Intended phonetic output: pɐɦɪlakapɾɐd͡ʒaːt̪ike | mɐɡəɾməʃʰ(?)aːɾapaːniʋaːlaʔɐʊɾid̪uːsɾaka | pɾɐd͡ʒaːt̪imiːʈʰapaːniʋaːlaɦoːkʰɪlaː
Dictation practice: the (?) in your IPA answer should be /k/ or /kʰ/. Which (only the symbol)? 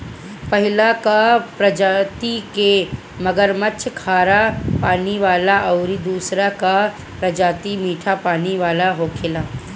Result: kʰ